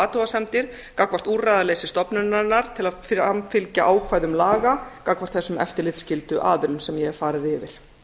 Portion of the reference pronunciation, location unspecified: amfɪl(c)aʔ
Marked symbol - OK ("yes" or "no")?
yes